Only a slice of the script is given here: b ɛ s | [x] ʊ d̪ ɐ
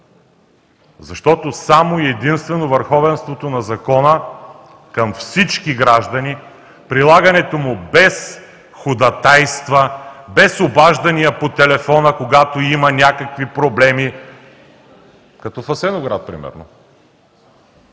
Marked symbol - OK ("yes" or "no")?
yes